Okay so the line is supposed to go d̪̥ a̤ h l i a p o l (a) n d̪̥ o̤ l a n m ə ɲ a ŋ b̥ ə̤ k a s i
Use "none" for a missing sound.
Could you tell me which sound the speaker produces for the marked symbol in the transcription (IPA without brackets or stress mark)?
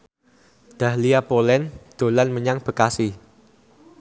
ɛ